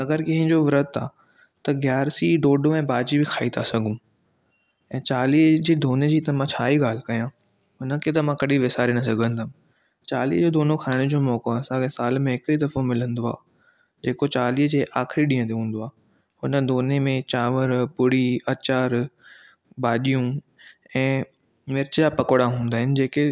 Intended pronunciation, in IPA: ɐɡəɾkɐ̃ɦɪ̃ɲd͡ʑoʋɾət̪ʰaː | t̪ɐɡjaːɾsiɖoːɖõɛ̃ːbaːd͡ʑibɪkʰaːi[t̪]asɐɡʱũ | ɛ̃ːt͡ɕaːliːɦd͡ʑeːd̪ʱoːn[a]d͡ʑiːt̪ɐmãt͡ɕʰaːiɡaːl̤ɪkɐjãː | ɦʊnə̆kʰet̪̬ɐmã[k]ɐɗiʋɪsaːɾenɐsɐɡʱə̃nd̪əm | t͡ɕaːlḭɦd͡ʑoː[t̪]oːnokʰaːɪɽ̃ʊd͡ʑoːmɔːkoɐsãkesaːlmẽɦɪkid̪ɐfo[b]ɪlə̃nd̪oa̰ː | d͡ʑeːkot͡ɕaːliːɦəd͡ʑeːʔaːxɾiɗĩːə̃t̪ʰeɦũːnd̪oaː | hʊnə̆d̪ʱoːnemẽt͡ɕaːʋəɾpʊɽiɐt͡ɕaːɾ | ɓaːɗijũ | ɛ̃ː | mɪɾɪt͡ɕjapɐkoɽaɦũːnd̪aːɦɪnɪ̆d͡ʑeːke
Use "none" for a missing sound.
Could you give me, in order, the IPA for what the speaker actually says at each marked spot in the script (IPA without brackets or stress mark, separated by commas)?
t̪ʰ, e, k, d̪, m